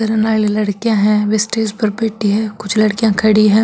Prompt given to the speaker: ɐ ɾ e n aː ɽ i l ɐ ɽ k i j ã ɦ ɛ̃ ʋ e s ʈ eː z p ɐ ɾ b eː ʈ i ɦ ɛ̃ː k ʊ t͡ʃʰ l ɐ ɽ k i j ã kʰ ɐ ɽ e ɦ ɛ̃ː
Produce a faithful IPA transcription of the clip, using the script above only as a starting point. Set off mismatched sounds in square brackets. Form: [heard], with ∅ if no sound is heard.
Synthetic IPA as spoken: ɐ ɾ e n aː [l] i l ɐ ɽ k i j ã ɦ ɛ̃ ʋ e s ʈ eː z p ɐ ɾ b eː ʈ i ɦ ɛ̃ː k ʊ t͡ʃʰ l ɐ ɽ k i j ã kʰ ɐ ɽ [i] ɦ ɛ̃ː